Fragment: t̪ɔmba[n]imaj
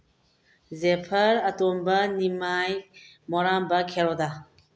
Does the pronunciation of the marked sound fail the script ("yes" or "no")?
no